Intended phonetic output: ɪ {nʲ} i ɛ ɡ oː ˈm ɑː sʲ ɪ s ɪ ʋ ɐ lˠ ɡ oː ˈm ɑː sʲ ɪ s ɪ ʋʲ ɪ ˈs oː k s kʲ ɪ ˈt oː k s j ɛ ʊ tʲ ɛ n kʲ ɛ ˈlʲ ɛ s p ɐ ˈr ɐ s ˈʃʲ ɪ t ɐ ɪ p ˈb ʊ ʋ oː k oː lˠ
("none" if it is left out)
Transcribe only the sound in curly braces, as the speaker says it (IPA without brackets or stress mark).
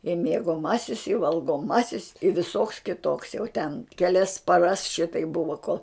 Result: mʲ